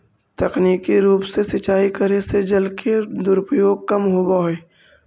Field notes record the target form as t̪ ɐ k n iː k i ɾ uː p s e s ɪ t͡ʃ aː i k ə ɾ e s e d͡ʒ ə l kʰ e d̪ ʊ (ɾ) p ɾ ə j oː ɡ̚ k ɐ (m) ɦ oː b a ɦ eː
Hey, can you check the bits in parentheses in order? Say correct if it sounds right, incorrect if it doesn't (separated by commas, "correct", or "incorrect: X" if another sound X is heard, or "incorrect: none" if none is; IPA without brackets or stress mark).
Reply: correct, correct